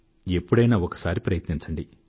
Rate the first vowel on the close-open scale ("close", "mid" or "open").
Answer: mid